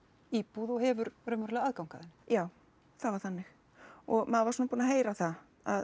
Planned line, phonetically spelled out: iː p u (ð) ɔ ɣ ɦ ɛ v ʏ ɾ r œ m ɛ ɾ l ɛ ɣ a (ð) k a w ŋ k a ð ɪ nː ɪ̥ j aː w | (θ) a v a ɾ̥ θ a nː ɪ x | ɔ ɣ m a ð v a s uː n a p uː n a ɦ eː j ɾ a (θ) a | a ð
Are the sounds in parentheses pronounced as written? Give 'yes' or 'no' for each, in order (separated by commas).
yes, yes, yes, yes